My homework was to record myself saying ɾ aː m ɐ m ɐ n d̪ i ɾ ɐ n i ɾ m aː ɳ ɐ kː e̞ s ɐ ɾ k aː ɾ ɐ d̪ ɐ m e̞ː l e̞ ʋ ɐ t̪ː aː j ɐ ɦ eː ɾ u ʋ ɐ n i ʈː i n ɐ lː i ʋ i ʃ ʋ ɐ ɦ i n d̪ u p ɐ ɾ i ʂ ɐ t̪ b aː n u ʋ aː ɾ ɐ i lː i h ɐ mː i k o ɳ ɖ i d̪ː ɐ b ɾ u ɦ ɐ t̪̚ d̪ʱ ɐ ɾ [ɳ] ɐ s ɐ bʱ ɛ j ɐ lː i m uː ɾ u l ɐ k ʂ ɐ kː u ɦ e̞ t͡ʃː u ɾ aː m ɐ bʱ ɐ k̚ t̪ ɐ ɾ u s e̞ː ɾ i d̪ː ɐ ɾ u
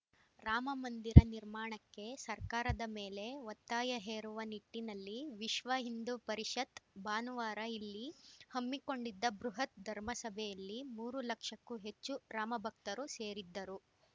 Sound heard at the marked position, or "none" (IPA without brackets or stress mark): m